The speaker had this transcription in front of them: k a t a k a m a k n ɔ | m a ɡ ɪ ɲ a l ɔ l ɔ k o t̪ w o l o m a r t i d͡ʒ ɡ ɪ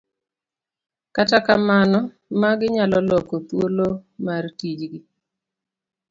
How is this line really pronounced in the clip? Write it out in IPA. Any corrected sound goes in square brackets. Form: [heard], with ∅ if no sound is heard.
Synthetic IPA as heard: k a t a k a m a [∅] n ɔ | m a ɡ ɪ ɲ a l ɔ l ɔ k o t̪ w o l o m a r t i d͡ʒ ɡ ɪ